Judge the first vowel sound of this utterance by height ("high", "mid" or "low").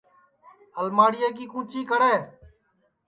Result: mid